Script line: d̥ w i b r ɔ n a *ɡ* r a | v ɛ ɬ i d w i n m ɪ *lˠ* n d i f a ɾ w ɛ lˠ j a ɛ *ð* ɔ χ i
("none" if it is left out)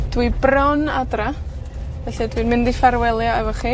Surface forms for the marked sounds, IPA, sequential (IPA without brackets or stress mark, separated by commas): d, none, v